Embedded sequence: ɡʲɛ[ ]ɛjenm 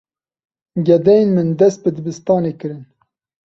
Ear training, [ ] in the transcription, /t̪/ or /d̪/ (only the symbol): d̪